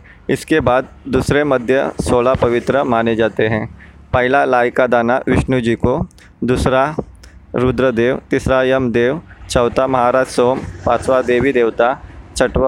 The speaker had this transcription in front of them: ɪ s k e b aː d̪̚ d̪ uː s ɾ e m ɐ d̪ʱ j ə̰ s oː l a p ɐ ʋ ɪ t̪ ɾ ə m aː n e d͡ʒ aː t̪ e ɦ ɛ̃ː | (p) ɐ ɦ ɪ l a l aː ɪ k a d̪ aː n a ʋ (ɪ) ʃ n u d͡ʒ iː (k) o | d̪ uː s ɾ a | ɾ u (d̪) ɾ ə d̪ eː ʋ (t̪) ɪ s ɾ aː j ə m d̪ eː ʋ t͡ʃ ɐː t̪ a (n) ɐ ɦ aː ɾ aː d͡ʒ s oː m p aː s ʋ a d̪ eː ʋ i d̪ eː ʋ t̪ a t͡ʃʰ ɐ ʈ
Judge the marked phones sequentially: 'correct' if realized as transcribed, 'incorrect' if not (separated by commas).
correct, correct, correct, correct, correct, incorrect